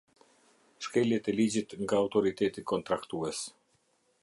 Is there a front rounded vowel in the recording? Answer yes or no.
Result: no